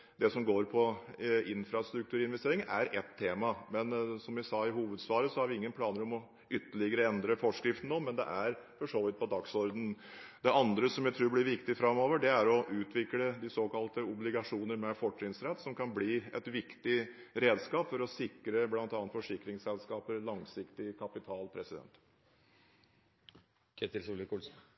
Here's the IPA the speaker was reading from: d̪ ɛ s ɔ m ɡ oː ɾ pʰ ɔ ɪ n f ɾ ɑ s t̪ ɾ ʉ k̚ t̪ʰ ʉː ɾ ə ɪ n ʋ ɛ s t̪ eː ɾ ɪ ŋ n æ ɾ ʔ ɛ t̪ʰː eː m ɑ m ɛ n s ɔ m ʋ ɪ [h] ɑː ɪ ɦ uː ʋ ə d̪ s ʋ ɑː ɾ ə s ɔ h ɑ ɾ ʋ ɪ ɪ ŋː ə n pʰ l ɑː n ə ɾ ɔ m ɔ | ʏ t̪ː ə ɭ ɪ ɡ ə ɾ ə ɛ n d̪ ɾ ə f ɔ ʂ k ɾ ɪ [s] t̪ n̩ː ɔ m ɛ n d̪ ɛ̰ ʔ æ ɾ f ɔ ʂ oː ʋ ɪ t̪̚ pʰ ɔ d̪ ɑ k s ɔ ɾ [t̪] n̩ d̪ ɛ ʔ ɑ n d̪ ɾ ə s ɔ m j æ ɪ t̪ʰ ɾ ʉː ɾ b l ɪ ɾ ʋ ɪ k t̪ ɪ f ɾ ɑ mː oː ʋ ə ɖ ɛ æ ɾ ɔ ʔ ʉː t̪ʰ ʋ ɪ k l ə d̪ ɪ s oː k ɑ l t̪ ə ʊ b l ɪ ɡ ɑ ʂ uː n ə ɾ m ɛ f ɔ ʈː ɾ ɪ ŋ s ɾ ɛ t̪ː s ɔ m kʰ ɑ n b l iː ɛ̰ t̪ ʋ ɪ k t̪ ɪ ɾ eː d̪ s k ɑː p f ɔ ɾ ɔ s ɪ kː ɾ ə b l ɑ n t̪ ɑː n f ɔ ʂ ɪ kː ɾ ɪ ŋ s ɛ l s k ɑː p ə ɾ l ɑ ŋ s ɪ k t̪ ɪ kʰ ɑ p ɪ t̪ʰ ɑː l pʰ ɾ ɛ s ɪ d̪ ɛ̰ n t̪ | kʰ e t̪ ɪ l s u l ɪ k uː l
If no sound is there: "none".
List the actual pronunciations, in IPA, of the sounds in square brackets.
s, f, d̪

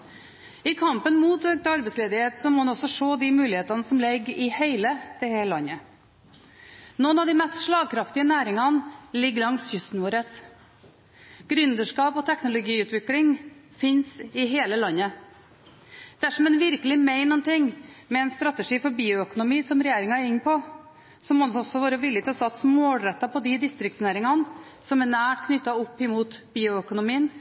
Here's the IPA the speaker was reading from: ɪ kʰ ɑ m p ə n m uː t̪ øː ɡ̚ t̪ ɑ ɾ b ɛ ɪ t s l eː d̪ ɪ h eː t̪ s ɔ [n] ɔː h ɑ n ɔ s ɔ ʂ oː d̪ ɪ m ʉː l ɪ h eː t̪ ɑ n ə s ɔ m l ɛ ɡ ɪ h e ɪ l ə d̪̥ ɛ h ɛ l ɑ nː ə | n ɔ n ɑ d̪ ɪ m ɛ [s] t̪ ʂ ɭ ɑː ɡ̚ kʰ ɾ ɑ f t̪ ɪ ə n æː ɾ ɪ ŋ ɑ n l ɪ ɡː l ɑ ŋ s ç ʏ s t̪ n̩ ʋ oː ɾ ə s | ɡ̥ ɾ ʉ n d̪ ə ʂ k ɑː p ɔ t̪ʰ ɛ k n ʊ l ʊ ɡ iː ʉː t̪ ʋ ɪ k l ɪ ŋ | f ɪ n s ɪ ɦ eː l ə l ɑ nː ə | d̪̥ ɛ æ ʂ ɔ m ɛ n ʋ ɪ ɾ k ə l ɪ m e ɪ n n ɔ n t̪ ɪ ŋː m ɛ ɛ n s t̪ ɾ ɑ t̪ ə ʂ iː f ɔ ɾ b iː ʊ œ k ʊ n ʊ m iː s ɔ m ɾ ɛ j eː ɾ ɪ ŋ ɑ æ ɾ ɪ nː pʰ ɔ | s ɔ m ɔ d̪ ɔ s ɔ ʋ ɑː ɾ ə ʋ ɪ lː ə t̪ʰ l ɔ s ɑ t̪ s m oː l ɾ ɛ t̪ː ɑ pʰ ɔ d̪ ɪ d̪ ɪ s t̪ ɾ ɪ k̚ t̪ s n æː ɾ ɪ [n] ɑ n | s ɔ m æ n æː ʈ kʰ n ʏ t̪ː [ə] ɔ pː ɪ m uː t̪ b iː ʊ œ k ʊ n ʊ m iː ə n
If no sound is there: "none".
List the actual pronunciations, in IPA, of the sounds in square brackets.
m, s, ŋ, ɑ

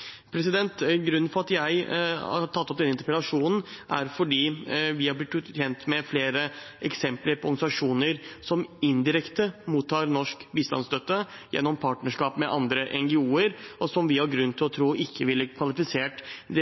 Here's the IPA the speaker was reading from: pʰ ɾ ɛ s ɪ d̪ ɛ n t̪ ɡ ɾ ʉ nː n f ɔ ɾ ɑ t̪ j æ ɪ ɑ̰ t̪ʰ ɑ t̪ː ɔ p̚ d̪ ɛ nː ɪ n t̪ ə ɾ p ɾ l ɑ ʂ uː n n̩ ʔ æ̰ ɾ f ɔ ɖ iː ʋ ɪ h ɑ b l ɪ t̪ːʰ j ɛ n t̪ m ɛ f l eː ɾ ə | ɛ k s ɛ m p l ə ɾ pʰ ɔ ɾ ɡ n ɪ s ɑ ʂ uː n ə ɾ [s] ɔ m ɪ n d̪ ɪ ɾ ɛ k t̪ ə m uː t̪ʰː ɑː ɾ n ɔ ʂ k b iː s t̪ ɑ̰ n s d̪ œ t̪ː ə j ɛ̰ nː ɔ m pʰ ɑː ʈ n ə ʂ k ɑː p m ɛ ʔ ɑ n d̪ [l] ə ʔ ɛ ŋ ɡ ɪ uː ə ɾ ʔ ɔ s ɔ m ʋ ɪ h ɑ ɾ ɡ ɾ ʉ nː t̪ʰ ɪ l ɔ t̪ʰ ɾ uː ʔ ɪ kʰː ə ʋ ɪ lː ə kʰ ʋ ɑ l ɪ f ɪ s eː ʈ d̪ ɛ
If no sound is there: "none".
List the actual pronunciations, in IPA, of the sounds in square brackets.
s, ɾ

